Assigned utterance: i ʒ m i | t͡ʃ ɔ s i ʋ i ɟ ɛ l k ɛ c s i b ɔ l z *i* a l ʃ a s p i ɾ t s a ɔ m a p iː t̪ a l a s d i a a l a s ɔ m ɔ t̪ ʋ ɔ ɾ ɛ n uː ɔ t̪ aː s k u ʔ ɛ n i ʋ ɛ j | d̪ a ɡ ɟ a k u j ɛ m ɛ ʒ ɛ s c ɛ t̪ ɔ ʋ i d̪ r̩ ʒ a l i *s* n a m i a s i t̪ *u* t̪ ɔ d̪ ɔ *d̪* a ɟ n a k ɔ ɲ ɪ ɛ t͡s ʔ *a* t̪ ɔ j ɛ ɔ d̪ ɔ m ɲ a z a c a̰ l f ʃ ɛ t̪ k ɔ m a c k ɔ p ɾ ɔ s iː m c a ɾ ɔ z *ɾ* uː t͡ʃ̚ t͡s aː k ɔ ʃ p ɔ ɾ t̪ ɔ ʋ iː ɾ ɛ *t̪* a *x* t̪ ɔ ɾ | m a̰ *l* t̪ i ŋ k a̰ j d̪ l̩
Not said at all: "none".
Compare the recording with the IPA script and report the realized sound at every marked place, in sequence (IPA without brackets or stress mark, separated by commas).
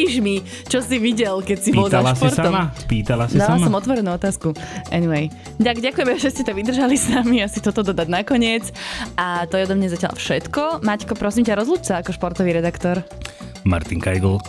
a, s, ɔ, d̪, a, l, d̪, k, ɾ